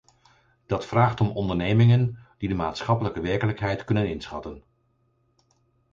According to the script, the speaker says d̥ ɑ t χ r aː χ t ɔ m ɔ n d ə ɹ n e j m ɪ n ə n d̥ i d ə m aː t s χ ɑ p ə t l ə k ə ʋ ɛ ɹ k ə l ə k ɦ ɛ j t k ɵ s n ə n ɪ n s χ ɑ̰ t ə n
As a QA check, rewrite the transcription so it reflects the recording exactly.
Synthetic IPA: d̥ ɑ t f r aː χ t ɔ m ɔ n d ə ɹ n e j m ɪ ŋ ə n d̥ i d ə m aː t s χ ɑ p ə l ə k ə ʋ ɛ ɹ k ə l ə k ɦ ɛ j t k ɵ n ə n ɪ n s χ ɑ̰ t ə n